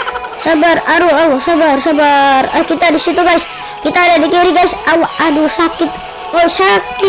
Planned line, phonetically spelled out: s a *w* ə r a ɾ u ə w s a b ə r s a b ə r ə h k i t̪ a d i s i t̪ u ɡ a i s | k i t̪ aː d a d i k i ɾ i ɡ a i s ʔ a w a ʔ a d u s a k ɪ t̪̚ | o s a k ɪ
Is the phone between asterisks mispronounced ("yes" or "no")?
yes